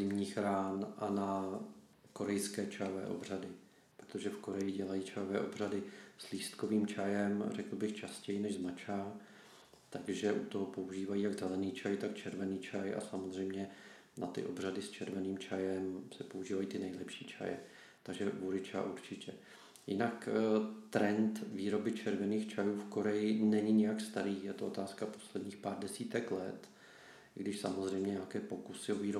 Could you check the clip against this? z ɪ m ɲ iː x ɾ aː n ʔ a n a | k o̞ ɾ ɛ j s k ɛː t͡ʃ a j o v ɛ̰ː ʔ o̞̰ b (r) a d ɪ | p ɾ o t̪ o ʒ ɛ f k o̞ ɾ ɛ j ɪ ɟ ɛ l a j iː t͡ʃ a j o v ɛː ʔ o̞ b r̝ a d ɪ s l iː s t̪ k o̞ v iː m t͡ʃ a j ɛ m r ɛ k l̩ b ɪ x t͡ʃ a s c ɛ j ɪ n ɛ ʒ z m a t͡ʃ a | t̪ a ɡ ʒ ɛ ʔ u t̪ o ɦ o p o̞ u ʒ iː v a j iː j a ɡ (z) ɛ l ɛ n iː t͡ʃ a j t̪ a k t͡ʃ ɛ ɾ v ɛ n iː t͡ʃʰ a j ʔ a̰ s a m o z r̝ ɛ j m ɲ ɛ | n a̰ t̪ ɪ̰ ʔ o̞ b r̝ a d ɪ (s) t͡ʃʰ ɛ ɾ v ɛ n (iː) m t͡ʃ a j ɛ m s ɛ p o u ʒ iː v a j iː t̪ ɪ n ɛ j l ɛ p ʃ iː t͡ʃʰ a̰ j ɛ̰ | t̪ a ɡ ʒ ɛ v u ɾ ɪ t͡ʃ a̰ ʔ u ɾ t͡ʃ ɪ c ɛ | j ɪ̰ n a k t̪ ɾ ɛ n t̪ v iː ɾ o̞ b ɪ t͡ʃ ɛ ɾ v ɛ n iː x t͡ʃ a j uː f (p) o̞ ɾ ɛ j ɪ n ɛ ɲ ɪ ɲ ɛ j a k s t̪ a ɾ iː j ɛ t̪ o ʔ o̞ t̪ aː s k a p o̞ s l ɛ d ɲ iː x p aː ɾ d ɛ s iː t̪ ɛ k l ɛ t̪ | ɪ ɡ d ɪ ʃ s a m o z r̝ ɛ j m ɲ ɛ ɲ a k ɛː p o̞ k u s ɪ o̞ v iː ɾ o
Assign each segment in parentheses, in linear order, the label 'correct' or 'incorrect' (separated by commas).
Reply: correct, correct, correct, correct, incorrect